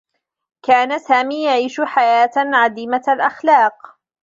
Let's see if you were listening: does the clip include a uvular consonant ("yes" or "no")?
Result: yes